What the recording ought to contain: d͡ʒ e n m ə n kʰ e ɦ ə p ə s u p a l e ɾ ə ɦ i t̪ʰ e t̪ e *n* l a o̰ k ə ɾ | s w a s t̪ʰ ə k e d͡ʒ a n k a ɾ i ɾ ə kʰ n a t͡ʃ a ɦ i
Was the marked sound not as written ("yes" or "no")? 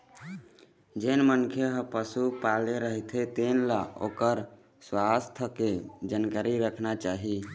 no